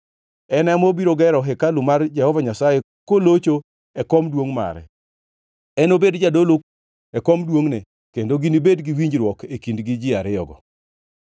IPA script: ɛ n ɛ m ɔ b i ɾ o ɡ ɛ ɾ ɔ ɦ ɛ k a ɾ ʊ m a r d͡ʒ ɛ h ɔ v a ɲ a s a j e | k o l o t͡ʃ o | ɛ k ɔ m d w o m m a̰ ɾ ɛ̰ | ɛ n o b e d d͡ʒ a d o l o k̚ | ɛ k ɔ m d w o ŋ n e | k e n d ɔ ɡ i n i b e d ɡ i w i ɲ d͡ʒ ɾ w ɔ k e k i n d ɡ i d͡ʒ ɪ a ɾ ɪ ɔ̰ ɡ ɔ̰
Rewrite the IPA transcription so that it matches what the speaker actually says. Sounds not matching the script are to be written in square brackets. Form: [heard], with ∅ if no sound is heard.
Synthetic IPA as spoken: ɛ n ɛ m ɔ b i ɾ o ɡ ɛ ɾ ɔ ɦ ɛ k a [l] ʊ m a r d͡ʒ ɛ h ɔ v a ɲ a s a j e | k o l o t͡ʃ o | ɛ k ɔ m d w o [ŋ] m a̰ ɾ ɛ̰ | ɛ n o b e d d͡ʒ a d o l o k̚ | ɛ k ɔ m d w o ŋ n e | k e n d [o] ɡ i n i b e d ɡ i w i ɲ d͡ʒ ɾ w ɔ k e k i n d ɡ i d͡ʒ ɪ a ɾ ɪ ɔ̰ ɡ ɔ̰

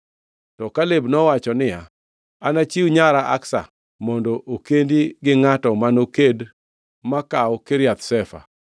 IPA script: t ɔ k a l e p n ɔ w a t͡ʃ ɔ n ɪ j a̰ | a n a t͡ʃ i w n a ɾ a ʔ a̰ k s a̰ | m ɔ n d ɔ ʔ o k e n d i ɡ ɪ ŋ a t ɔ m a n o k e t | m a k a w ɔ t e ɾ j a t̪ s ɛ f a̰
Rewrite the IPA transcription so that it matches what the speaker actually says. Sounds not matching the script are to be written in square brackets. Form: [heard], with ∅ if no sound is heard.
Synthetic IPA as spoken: t ɔ k a l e [b] n ɔ w a t͡ʃ ɔ n ɪ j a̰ | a n a t͡ʃ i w [ɲ] a ɾ a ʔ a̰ k s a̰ | m ɔ n d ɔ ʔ o k e n d i ɡ ɪ ŋ a t ɔ m a n o k e [d] | m a k a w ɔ [k] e ɾ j a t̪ s ɛ f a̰

